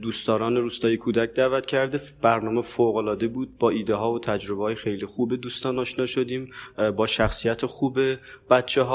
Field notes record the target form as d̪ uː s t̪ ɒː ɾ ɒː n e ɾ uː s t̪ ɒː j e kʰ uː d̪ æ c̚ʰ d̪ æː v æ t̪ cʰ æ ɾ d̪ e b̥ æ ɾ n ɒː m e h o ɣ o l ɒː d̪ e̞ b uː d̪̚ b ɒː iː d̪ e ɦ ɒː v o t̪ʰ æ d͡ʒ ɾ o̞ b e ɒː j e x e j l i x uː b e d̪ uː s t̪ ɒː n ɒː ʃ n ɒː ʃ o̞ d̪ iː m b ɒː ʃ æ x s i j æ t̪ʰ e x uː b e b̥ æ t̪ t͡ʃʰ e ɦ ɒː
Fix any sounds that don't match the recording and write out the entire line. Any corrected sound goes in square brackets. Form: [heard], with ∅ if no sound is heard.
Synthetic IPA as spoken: d̪ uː s t̪ ɒː ɾ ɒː n e ɾ uː s t̪ ɒː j e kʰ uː d̪ æ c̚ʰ d̪ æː v æ t̪ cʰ æ ɾ d̪ e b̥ æ ɾ n ɒː m e [f] o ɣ o l ɒː d̪ e̞ b uː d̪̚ b ɒː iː d̪ e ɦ ɒː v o t̪ʰ æ d͡ʒ ɾ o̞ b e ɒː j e x e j l i x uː b e d̪ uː s t̪ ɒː n ɒː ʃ n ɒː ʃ o̞ d̪ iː m b ɒː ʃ æ x s i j æ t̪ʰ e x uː b e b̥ æ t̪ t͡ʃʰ e ɦ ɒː